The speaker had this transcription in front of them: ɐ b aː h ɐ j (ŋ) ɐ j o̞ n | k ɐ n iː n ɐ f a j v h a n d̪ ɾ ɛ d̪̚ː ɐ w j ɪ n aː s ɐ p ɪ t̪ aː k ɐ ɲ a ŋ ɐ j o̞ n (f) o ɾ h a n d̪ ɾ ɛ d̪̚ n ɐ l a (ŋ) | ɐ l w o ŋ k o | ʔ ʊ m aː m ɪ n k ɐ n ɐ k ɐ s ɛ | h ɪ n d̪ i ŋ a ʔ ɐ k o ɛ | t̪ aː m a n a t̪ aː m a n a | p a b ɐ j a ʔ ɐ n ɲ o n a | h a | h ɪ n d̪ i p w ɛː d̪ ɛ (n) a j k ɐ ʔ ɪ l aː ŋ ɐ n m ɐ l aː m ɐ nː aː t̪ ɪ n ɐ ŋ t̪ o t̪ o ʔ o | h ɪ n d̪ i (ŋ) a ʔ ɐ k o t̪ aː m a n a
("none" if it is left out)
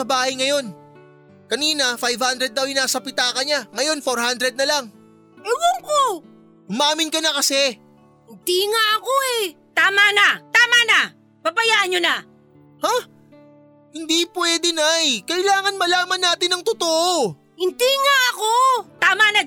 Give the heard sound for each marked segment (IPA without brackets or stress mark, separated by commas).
ŋ, f, ŋ, n, ŋ